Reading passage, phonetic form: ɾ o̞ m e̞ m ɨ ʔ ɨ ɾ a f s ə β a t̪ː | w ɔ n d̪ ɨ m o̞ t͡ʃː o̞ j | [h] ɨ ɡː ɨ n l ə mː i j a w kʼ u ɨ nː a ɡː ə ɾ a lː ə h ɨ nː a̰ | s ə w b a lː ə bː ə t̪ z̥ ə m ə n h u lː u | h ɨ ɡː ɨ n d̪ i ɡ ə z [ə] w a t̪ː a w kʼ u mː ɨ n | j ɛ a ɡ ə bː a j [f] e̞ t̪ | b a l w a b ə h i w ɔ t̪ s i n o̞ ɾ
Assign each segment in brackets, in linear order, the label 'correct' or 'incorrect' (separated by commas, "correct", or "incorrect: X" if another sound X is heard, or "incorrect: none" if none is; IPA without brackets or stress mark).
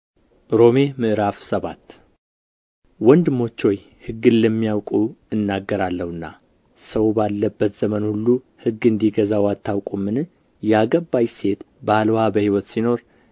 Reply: correct, incorrect: a, incorrect: s